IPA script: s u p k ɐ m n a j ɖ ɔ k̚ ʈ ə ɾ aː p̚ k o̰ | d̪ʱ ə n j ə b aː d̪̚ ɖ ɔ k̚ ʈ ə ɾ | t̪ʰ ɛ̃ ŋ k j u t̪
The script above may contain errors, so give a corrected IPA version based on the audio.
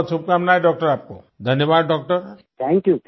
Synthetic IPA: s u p k a m n a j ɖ ɔ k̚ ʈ ə ɾ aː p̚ k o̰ | d̪ʱ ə n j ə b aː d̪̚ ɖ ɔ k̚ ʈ ə ɾ | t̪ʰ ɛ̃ ŋ k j u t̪